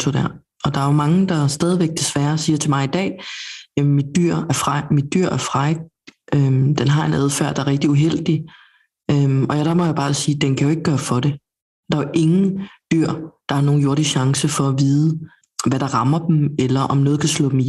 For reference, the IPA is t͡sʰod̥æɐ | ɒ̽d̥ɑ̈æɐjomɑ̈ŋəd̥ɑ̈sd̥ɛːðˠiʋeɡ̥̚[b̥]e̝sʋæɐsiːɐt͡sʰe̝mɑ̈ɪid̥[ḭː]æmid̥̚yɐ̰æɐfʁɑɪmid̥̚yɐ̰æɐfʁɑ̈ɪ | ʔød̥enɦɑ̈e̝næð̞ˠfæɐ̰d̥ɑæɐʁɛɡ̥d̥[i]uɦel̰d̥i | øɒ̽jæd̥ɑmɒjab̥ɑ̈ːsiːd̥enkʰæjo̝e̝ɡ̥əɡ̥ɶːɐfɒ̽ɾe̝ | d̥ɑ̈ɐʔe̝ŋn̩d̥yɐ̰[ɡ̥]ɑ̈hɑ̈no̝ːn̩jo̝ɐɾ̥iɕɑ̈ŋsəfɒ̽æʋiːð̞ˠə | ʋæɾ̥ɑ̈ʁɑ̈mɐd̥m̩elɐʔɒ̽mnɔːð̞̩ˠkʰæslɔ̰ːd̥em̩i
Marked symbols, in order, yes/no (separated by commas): no, no, yes, no